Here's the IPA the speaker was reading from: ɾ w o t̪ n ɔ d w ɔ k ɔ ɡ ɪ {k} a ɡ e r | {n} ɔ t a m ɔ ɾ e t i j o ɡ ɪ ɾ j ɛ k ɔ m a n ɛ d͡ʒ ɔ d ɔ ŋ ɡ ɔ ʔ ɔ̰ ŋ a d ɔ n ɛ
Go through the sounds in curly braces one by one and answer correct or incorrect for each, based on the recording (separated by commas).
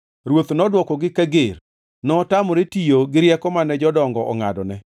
correct, correct